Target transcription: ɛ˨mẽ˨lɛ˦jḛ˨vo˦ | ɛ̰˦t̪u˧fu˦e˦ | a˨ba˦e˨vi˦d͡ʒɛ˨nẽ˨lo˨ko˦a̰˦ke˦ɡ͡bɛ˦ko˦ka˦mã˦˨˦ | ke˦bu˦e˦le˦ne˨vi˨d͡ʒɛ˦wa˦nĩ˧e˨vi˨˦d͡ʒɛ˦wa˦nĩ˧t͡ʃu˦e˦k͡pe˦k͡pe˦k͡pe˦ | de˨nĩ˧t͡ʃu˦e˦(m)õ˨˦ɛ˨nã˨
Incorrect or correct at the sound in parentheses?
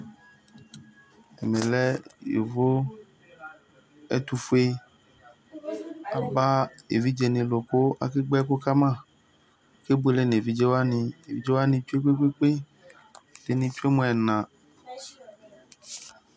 correct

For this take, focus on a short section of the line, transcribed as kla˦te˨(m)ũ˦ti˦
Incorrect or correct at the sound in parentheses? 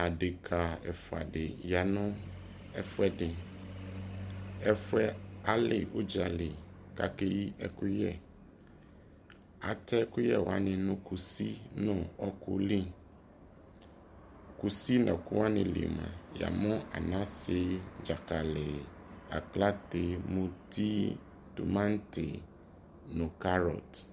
correct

